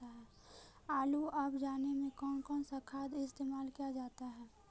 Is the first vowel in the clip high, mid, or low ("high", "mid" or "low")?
low